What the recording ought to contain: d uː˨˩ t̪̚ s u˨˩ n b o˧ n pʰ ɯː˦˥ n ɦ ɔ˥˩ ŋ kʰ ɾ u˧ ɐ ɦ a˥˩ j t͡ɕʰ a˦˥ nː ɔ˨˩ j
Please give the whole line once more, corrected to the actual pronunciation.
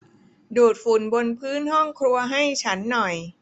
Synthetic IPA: d uː˨˩ t̪̚ f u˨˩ n b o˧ n pʰ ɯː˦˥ n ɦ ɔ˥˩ ŋ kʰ ɾ u˧ ɐ ɦ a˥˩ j t͡ɕʰ a˦˥ nː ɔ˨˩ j